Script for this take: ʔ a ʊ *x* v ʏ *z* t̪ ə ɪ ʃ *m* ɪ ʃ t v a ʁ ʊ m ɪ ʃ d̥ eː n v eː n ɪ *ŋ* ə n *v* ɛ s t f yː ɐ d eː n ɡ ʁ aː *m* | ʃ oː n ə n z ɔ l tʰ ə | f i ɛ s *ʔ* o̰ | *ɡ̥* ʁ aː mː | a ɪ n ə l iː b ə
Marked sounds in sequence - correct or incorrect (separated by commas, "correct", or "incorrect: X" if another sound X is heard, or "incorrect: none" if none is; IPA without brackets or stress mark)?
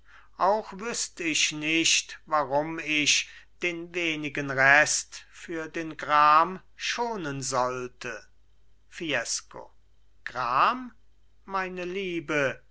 correct, incorrect: s, incorrect: n, incorrect: ɡ, incorrect: ʁ, correct, incorrect: k, correct